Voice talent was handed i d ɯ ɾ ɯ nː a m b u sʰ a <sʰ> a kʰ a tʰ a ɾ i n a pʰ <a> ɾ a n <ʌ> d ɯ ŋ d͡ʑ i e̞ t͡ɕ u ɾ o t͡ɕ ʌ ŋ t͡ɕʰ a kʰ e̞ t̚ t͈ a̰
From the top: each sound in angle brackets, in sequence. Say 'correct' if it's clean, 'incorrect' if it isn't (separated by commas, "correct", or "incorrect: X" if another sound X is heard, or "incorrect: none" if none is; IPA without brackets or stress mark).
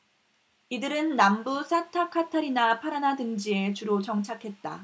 incorrect: tʰ, correct, incorrect: a